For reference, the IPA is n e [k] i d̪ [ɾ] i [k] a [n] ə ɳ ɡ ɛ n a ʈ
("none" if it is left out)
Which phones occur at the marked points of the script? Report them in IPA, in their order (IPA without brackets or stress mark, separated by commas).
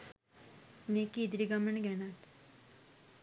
k, ɾ, ɡ, m